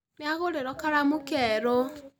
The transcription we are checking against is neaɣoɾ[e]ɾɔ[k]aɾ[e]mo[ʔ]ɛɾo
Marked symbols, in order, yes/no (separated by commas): yes, yes, no, no